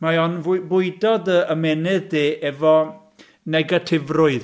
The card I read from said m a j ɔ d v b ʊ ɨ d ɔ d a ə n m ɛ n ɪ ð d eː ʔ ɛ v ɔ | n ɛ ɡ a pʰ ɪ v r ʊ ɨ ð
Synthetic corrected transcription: m a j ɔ n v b ʊ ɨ d ɔ d ə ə m ɛ n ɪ ð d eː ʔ ɛ v ɔ | n ɛ ɡ a tʰ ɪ v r ʊ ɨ ð